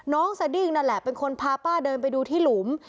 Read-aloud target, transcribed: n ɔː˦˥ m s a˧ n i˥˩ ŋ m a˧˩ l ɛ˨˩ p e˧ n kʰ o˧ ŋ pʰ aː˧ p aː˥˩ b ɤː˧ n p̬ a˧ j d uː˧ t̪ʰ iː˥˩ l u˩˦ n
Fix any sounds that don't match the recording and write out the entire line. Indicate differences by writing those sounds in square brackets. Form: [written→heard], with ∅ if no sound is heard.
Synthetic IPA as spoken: n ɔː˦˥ [m→ŋ] s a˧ [n→d] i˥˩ ŋ [m→n] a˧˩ l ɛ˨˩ p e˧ n kʰ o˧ [ŋ→n] pʰ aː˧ p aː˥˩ [b→d] ɤː˧ n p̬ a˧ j d uː˧ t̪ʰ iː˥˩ l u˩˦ [n→m]